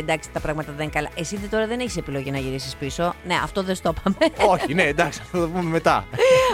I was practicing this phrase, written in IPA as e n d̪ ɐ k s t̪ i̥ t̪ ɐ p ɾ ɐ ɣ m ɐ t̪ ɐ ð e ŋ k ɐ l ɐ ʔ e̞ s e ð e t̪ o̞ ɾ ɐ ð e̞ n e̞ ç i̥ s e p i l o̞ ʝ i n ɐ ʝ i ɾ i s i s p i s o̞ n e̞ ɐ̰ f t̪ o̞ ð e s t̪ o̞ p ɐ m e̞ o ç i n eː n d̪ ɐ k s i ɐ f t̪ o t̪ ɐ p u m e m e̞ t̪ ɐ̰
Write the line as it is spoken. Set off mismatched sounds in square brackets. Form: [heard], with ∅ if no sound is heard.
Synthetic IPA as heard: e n d̪ ɐ k s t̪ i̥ t̪ ɐ p ɾ ɐ ɣ m ɐ t̪ ɐ ð e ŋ k ɐ l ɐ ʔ e̞ s [i] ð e t̪ o̞ ɾ ɐ ð e̞ n e̞ ç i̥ s e p i l o̞ ʝ i n ɐ ʝ i ɾ i s i s p i s o̞ n e̞ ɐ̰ f t̪ o̞ ð e s t̪ o̞ p ɐ m e̞ o ç i n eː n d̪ ɐ k s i ɐ f t̪ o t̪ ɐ p u m e m e̞ t̪ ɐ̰